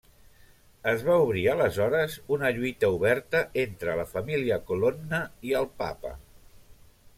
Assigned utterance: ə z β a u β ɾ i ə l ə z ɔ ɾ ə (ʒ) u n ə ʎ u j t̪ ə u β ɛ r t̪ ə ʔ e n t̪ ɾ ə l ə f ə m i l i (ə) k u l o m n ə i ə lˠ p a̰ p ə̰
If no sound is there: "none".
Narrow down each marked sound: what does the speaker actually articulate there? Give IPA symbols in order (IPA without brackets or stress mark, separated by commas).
z, ə